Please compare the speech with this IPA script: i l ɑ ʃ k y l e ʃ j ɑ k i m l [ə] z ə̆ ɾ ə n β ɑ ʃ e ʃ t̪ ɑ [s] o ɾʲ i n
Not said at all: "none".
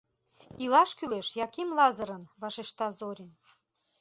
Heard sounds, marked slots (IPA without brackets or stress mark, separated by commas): ɑ, z